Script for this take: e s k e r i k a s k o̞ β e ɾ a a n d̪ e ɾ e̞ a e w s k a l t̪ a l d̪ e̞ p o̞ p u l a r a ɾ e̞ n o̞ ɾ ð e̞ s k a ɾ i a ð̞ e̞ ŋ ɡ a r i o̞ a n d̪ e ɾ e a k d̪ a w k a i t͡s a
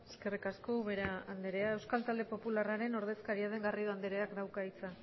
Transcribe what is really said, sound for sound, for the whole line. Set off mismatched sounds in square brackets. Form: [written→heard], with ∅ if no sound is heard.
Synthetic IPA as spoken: e s k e r i k a s k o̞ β e ɾ a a n d̪ e ɾ e̞ a e w s k a l t̪ a l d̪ e̞ p o̞ p u l a r a ɾ e̞ n o̞ ɾ ð e̞ s k a ɾ i a ð̞ e̞ ŋ ɡ a r i o̞ a n d̪ e ɾ e a k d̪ a w k a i t͡s a